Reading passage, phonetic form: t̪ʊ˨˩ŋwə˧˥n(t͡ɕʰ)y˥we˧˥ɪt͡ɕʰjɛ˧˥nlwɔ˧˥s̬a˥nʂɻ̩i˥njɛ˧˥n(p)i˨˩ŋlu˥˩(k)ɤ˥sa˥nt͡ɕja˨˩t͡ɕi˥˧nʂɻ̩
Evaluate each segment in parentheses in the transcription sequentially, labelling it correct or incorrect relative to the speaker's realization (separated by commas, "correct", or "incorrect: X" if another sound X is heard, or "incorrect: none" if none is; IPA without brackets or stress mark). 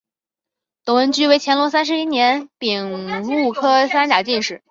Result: incorrect: t͡ɕ, correct, incorrect: kʰ